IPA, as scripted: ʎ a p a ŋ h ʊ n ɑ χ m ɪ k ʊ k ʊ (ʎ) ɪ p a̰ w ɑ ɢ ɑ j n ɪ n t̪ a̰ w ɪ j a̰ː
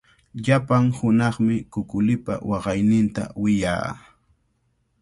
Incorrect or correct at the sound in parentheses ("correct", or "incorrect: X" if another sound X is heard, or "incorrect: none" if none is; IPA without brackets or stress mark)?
incorrect: l